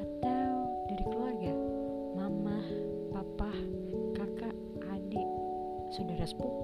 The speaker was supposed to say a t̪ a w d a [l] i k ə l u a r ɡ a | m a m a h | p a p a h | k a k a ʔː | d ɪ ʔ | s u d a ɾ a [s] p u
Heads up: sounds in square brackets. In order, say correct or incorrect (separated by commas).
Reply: incorrect, correct